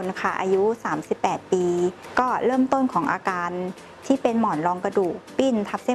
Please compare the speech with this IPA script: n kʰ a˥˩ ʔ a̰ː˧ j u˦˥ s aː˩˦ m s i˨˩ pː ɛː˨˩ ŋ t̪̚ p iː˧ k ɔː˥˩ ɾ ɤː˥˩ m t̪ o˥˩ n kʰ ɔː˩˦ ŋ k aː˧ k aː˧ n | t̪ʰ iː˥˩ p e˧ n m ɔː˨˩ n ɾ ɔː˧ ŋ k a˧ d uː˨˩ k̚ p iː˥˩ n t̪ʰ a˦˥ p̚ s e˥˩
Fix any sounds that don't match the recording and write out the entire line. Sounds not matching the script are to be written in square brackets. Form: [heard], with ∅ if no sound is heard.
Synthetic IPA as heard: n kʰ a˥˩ ʔ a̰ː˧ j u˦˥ s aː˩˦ m s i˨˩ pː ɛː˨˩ [∅] t̪̚ p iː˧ k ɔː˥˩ ɾ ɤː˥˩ m t̪ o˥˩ n kʰ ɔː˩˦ ŋ [ʔ] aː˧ k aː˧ n | t̪ʰ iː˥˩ p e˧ n m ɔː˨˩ n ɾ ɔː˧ ŋ k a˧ d uː˨˩ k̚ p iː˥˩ n t̪ʰ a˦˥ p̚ s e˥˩

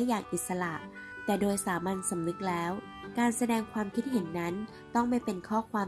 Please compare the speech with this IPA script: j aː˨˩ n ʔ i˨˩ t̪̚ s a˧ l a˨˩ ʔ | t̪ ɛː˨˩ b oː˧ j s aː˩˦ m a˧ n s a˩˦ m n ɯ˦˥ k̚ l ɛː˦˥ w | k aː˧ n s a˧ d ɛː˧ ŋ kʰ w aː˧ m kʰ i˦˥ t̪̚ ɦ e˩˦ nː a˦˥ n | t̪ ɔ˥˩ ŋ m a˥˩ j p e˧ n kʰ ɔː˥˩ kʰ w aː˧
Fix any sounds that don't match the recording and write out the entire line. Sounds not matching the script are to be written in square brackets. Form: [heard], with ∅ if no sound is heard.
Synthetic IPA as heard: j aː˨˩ [ŋ] ʔ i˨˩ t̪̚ s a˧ l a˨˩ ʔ | t̪ ɛː˨˩ [d] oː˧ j s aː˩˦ m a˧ n s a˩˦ m n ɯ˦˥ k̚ l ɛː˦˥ w | k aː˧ n s a˧ d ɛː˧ ŋ kʰ w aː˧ m kʰ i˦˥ t̪̚ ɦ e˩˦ nː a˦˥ n | t̪ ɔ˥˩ ŋ m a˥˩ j p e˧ n kʰ ɔː˥˩ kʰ w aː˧

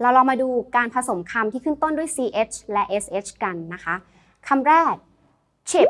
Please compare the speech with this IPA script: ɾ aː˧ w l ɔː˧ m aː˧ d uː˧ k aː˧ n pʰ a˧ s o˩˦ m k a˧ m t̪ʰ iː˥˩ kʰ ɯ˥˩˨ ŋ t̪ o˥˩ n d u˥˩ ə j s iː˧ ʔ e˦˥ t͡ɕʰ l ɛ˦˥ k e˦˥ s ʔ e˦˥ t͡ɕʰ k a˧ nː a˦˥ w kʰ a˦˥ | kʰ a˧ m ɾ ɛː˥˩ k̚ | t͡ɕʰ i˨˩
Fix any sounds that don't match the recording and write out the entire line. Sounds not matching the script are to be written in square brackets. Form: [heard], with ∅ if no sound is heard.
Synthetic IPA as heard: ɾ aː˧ w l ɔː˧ m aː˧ d uː˧ k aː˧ n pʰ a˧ s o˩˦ m [kʰ] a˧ m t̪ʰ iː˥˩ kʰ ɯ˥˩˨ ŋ t̪ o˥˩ n d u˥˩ ə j s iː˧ ʔ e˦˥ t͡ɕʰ l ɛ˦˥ [ʔ] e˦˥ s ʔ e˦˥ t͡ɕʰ k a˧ nː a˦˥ [∅] kʰ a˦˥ | kʰ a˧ m ɾ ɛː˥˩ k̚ | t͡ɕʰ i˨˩

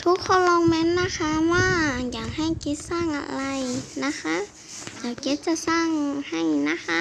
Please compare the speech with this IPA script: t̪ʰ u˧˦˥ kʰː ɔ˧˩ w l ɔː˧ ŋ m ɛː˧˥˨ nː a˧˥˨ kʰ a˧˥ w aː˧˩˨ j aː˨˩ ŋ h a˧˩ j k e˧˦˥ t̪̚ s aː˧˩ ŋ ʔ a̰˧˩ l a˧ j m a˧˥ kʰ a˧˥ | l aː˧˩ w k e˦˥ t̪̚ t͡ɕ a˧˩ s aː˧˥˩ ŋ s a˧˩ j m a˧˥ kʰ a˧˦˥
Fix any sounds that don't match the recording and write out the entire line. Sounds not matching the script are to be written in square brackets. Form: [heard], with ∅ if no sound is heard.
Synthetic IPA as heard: t̪ʰ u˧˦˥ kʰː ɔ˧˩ w l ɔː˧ ŋ m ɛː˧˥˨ nː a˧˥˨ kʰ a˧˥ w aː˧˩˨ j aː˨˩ ŋ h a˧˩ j k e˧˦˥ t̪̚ s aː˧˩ ŋ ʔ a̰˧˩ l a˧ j [n] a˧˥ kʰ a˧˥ | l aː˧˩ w k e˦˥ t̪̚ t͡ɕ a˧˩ s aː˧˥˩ ŋ [h] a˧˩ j [n] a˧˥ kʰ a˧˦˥

